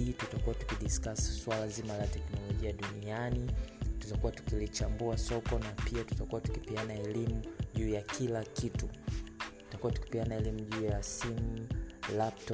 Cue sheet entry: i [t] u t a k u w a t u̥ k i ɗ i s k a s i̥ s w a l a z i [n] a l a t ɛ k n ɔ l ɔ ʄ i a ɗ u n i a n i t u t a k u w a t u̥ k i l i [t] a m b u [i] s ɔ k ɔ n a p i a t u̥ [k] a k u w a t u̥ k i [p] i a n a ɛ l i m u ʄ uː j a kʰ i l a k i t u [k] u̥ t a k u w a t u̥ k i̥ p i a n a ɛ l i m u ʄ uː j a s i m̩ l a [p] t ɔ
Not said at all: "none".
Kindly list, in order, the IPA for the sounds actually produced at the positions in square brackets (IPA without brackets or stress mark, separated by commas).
t, m, t͡ʃ, a, t, p, t, p